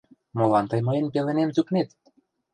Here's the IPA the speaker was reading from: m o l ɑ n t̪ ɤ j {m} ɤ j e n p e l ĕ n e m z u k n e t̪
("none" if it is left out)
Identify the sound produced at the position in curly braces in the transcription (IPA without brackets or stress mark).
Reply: m